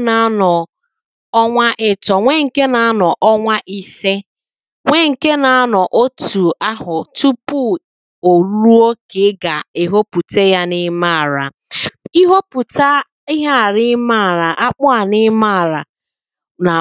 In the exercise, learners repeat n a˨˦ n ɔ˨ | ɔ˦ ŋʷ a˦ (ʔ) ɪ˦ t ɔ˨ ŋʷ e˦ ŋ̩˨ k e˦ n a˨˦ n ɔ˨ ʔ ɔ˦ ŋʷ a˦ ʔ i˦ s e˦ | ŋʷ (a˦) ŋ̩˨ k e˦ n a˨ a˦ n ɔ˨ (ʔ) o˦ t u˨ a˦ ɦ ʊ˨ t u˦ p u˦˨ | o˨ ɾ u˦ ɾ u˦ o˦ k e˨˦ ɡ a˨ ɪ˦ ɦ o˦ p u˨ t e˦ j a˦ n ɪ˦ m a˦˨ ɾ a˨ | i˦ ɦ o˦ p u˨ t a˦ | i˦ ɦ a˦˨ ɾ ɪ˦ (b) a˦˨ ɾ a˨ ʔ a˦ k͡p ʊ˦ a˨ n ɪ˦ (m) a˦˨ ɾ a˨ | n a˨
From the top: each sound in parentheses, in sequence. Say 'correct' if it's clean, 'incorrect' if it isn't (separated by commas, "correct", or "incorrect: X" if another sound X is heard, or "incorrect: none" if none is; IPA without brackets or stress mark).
correct, incorrect: e˦, correct, incorrect: m, correct